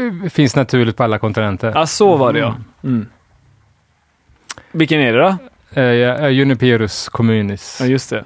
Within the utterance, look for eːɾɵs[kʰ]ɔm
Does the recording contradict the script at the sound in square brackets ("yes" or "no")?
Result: no